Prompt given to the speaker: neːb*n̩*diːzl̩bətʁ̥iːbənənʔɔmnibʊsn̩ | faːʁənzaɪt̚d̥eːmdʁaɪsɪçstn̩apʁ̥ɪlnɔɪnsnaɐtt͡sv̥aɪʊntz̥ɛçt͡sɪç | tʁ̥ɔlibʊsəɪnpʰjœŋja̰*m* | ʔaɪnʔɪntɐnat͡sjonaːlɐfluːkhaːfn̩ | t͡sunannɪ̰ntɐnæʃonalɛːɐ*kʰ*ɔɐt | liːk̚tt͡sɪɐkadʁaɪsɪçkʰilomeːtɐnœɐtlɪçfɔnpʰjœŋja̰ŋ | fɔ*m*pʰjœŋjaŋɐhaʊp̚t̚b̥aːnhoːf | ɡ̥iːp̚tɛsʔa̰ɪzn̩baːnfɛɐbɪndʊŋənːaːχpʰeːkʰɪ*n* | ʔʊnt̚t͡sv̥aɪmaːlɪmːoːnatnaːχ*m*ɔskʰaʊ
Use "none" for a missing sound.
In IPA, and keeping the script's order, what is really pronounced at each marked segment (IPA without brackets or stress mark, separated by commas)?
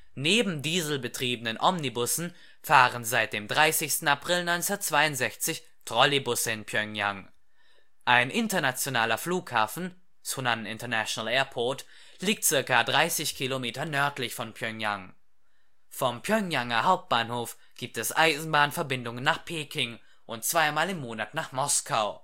m̩, ŋ, pʰ, m, ŋ, m